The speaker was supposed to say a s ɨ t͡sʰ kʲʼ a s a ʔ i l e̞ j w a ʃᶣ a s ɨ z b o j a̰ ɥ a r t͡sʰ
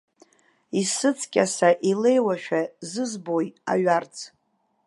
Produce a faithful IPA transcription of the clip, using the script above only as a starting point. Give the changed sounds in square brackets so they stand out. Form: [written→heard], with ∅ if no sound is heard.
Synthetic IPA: [a→i] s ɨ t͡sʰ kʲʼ a s a ʔ i l e̞ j w a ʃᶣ a [s→z] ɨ z b o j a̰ ɥ a r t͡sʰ